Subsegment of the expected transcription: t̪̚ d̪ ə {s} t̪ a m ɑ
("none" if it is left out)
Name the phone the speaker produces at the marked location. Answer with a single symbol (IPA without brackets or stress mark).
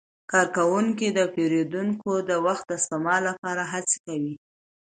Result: s